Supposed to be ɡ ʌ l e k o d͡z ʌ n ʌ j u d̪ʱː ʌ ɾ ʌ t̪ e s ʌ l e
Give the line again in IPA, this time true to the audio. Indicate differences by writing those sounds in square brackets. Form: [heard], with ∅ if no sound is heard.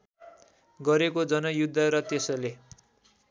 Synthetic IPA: ɡ ʌ [ɾ] e k o d͡z ʌ n ʌ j u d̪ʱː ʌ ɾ ʌ t̪ e s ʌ l e